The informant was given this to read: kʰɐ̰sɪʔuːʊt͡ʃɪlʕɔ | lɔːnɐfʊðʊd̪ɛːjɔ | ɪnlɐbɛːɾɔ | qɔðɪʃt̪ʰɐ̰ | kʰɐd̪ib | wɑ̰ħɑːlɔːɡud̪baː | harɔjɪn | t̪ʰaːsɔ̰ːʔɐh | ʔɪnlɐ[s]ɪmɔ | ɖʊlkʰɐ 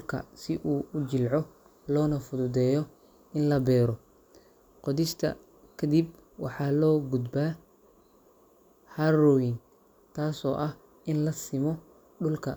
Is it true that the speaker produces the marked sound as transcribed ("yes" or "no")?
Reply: yes